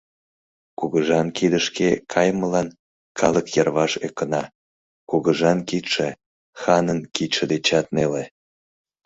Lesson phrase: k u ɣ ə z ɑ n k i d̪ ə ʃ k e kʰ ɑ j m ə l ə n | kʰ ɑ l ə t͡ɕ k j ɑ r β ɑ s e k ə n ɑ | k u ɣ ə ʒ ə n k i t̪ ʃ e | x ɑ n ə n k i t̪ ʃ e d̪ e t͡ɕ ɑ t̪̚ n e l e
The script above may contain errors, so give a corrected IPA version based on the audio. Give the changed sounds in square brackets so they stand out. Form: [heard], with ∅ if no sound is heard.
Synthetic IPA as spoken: k u ɣ ə [ʒ] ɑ n k i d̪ ə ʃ k e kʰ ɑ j m ə l [ɑ] n | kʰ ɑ l ə [∅] k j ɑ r β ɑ [ʃ] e k ə n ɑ | k u ɣ ə ʒ [ɑ] n k i t̪ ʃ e | x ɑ n ə n k i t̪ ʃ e d̪ e t͡ɕ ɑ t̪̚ n e l e